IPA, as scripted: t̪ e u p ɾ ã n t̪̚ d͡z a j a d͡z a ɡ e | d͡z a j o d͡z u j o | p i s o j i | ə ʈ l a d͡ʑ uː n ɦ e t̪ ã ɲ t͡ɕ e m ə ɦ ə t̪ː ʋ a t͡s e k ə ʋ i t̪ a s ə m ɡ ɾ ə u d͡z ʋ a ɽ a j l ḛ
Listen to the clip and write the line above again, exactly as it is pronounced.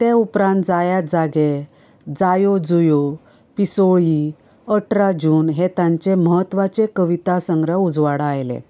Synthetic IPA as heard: t̪ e u p ɾ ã n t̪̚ d͡z a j a d͡z a ɡ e | d͡z a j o d͡z u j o | p i s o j i | ə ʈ ɾ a d͡ʑ uː n ɦ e t̪ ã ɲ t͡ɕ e m ə ɦ ə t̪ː ʋ a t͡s e k ə ʋ i t̪ a s ə ŋ ɡ ɾ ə u d͡z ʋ a ɽ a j l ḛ